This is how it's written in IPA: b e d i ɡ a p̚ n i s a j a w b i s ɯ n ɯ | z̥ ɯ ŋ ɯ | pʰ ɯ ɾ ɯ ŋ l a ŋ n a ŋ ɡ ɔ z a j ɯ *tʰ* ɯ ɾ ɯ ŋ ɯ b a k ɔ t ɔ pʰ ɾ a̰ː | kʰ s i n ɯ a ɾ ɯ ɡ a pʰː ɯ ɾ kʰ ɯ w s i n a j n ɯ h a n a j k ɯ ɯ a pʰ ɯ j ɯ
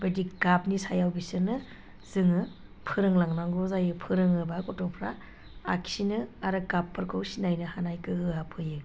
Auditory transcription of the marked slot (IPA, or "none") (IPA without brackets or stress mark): pʰ